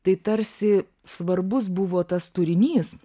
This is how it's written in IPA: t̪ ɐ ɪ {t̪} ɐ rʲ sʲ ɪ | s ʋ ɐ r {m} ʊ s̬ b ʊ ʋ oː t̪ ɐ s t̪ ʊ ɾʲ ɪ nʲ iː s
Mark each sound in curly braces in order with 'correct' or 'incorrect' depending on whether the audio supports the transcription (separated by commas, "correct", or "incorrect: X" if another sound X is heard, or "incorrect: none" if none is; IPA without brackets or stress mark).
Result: correct, incorrect: b